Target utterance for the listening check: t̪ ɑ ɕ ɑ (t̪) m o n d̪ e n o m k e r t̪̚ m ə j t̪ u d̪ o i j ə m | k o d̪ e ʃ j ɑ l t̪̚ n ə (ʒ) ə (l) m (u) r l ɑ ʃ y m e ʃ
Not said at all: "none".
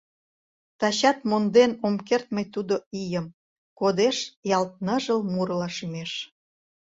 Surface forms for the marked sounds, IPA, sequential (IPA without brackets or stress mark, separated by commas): t̪, ʒ, l, u